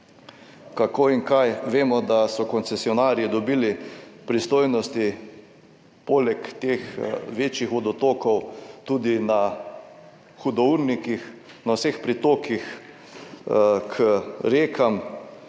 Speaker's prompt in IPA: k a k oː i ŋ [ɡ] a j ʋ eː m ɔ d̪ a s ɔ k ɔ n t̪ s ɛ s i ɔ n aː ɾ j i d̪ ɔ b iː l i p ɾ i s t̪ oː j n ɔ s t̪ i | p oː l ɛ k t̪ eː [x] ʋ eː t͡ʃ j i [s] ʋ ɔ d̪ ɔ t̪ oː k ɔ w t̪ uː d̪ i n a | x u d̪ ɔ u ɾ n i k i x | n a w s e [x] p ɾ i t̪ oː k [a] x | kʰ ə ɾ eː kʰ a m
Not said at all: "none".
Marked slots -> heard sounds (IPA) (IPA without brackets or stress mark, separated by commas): k, x, x, x, i